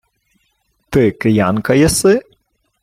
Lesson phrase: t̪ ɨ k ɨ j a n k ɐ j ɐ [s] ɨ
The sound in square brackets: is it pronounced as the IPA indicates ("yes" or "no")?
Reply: yes